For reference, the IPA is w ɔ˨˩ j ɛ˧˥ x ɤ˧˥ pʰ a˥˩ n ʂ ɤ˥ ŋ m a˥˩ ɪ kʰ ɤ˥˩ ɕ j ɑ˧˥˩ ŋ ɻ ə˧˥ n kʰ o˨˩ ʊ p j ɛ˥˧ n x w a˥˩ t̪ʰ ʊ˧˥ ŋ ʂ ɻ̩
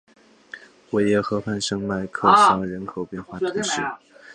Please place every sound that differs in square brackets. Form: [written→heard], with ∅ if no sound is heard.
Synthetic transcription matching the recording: w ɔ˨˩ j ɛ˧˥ x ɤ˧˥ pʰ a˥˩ n ʂ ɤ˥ ŋ m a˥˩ ɪ kʰ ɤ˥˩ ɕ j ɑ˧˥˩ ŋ ɻ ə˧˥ n kʰ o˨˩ ʊ p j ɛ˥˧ n x w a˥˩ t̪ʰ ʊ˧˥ ŋ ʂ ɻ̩